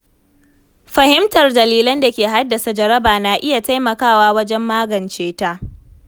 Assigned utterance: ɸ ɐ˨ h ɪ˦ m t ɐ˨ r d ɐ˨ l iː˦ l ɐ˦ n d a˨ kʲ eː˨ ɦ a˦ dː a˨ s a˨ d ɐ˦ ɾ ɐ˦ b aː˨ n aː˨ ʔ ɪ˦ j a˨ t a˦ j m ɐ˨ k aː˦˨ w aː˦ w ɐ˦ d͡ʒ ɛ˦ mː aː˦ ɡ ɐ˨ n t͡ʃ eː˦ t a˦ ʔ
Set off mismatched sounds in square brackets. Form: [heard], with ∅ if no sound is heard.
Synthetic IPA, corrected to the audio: ɸ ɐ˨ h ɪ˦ m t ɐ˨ r d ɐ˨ l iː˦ l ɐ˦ n d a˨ kʲ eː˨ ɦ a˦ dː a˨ s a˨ [d͡ʒ] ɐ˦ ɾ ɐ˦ b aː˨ n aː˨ ʔ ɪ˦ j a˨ t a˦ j m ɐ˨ k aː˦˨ w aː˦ w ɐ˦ d͡ʒ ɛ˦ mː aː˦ ɡ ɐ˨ n t͡ʃ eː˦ t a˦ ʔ

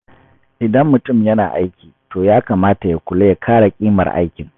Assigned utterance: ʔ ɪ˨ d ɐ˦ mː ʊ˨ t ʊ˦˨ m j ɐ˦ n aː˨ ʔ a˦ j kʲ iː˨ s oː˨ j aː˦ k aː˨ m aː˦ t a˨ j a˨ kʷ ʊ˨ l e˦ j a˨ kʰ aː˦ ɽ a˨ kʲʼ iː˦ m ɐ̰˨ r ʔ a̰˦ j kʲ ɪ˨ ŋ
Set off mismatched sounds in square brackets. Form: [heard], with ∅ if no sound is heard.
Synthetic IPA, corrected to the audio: ʔ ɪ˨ d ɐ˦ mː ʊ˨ t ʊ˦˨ m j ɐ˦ n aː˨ ʔ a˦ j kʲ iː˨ [t] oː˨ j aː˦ k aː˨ m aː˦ t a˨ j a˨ kʷ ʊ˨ l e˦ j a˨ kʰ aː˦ ɽ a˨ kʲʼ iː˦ m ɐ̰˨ r ʔ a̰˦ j kʲ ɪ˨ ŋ

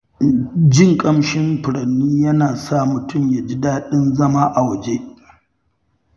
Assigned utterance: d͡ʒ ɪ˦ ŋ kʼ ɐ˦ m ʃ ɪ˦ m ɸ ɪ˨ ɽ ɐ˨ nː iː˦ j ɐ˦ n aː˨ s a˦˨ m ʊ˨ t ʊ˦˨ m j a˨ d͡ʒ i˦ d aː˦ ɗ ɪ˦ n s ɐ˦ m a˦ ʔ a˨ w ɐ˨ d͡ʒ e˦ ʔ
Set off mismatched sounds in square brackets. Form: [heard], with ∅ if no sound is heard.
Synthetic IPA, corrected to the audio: d͡ʒ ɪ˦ ŋ kʼ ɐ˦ m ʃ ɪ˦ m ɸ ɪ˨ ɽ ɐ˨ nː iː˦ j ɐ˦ n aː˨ s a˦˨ m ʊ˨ t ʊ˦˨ m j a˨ d͡ʒ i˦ d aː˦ ɗ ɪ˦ n [z] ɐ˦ m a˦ ʔ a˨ w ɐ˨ d͡ʒ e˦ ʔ

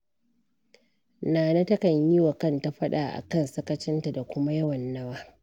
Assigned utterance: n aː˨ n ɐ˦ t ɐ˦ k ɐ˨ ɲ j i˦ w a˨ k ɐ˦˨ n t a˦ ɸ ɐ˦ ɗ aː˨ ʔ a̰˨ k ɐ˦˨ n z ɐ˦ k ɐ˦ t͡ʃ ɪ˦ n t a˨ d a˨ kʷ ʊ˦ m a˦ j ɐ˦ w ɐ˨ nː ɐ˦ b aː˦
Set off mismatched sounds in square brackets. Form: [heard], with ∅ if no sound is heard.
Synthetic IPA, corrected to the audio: n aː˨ n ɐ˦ t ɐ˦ k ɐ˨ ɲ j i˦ w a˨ k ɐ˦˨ n t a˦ ɸ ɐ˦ ɗ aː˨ ʔ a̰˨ k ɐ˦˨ n [s] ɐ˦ k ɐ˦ t͡ʃ ɪ˦ n t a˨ d a˨ kʷ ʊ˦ m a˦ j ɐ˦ w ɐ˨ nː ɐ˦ [w] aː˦

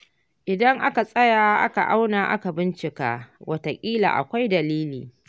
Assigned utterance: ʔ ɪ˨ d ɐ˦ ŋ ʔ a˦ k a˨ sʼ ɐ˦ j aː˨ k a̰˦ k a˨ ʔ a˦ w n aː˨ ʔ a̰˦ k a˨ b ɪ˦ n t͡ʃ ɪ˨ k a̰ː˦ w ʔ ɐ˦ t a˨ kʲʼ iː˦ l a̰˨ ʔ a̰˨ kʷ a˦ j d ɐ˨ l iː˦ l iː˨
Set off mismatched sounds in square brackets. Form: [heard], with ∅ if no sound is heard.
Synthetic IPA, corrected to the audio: ʔ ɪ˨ d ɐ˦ ŋ ʔ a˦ k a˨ sʼ ɐ˦ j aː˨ [ʔ] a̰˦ k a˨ ʔ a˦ w n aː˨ ʔ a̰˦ k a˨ b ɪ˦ n t͡ʃ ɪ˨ k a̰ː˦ w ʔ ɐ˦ t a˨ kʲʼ iː˦ l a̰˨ ʔ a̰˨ kʷ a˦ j d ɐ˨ l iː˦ l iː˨

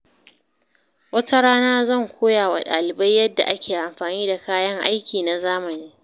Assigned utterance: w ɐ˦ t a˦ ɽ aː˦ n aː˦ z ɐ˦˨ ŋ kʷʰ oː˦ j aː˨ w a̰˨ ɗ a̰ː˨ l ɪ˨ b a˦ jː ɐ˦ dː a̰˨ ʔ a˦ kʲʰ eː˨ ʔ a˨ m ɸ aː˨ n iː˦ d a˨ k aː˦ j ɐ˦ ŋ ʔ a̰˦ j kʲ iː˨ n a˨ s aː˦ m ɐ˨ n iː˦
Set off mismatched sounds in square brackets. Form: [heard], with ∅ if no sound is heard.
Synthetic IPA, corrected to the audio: w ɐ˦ t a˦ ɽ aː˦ n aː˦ z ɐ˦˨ ŋ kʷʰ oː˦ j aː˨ w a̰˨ ɗ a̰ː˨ l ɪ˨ b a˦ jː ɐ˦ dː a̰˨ ʔ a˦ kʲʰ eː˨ ʔ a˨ m ɸ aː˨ n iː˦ d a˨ k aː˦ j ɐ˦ ŋ ʔ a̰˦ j kʲ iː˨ n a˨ [z] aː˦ m ɐ˨ n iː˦

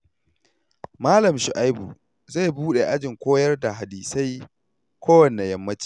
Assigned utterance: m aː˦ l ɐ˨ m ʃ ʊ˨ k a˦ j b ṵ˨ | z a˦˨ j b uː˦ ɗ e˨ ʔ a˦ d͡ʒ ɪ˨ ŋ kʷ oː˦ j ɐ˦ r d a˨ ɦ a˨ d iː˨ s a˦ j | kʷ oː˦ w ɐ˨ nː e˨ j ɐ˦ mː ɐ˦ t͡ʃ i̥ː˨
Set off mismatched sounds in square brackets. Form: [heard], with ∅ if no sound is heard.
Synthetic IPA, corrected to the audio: m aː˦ l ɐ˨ m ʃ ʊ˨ [ʔ] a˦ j b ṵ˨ | z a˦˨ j b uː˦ ɗ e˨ ʔ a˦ d͡ʒ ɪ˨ ŋ kʷ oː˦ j ɐ˦ r d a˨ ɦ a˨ d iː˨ s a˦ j | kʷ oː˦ w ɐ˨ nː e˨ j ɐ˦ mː ɐ˦ t͡ʃ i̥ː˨

